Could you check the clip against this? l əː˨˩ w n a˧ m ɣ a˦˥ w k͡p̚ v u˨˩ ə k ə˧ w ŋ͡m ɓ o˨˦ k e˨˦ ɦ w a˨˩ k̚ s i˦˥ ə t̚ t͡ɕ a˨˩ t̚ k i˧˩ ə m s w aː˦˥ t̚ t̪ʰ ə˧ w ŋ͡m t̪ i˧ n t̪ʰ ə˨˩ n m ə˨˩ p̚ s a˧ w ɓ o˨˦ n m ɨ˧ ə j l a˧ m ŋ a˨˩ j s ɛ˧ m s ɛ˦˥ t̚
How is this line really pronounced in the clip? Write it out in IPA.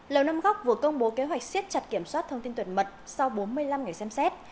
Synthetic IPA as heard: l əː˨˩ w n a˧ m ɣ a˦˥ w k͡p̚ v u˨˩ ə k ə˧ w ŋ͡m ɓ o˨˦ k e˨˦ ɦ w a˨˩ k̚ s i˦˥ ə t̚ t͡ɕ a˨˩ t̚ k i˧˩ ə m s w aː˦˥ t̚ t̪ʰ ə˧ w ŋ͡m t̪ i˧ n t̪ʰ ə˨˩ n m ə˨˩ t̚ s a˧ w ɓ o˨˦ n m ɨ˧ ə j l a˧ m ŋ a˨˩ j s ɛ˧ m s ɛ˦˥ t̚